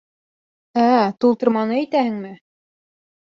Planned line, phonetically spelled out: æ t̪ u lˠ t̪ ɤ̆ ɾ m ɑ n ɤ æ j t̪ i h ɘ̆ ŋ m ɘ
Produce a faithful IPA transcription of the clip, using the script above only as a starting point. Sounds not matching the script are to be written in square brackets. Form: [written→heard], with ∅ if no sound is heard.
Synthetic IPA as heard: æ t̪ u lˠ t̪ ɤ̆ ɾ m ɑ n ɤ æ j t̪ [i→æ] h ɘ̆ ŋ m ɘ